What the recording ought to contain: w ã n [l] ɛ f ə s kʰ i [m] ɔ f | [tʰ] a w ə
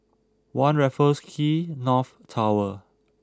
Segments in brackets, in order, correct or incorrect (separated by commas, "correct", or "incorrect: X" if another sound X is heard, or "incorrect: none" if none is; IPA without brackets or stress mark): incorrect: ɹ, incorrect: n, correct